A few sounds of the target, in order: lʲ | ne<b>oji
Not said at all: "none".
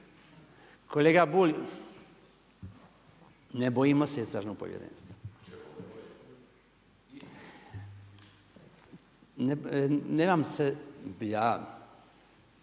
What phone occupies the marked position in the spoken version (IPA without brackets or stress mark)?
b